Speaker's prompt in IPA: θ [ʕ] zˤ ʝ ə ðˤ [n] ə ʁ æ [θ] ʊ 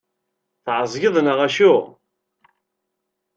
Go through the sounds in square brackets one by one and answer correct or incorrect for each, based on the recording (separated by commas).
correct, correct, incorrect